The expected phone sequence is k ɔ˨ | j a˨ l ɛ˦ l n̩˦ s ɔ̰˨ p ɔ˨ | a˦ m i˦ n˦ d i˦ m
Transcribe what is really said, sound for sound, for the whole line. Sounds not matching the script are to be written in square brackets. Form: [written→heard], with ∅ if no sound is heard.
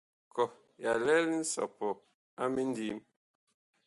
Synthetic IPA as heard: k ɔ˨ | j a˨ l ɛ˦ l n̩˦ s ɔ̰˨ p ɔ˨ | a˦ m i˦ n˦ d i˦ m